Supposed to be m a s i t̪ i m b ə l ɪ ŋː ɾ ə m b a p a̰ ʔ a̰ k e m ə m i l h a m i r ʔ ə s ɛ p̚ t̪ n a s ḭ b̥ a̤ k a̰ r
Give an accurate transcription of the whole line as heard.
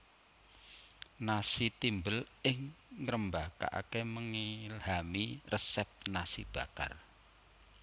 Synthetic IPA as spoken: n a s i t̪ i m b ə l ɪ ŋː ɾ ə m b a k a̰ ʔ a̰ k e m ə ŋ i l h a m i r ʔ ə s ɛ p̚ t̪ n a s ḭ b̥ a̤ k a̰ r